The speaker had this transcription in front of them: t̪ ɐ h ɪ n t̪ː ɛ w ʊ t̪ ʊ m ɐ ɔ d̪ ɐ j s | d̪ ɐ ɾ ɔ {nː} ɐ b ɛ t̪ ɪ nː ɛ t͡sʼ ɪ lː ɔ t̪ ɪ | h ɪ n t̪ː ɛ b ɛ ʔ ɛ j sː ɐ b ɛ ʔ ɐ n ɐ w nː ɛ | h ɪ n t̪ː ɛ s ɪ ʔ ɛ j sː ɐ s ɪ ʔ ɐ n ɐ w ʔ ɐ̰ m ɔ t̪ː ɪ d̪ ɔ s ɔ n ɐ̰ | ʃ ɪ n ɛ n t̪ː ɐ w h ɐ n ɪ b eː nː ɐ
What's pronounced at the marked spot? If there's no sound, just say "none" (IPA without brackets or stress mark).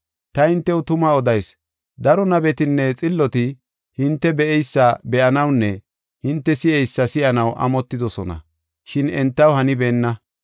n